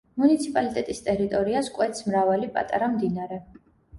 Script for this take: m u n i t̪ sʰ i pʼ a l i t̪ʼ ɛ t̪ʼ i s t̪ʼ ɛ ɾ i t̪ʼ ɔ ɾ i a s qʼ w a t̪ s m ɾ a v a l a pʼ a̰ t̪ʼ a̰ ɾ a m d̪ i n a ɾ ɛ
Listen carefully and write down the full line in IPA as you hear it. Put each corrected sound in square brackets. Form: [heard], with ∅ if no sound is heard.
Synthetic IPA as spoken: m u n i t̪ sʰ i pʼ a l i t̪ʼ ɛ t̪ʼ i s t̪ʼ ɛ ɾ i t̪ʼ ɔ ɾ i a s [kʼ] w [ɛ] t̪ s m ɾ a v a l [i] pʼ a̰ t̪ʼ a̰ ɾ a m d̪ i n a ɾ ɛ